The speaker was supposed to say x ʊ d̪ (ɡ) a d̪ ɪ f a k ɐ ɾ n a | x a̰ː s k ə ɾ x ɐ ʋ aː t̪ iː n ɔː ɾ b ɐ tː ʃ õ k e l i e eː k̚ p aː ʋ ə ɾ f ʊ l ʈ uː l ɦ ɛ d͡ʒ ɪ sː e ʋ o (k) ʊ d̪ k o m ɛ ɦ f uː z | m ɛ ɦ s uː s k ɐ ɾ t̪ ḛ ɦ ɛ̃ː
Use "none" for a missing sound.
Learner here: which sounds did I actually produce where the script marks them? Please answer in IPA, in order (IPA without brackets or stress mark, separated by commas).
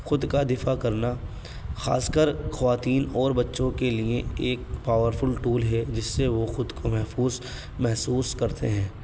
k, x